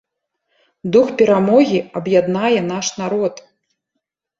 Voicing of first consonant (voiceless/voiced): voiced